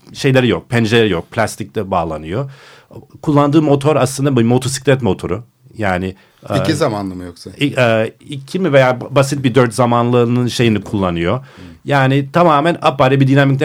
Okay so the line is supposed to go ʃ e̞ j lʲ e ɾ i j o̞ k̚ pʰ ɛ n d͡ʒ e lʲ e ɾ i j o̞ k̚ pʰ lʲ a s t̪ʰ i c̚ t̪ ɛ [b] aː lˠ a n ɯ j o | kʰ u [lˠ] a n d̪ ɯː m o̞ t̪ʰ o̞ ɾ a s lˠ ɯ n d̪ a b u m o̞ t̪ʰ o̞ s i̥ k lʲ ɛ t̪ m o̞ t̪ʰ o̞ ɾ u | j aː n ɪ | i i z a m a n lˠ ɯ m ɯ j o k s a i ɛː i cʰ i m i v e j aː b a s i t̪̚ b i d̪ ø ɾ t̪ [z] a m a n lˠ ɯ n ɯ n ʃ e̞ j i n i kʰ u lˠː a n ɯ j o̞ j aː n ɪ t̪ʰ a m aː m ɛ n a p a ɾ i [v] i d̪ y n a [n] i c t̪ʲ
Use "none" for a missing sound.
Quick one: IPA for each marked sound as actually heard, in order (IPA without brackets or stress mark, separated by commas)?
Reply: b, lˠː, z, b, m